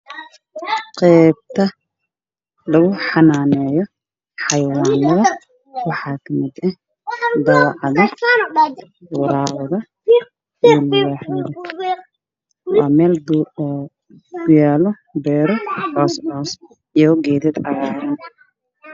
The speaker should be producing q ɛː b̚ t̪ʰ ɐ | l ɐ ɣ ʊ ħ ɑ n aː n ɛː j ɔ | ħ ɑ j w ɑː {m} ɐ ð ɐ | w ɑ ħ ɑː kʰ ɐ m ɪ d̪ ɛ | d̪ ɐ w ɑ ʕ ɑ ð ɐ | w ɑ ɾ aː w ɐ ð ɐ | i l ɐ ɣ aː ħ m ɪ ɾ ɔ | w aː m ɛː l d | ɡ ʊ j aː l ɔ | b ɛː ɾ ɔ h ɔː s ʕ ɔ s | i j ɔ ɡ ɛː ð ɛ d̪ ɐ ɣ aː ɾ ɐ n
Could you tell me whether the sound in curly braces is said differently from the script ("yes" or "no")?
yes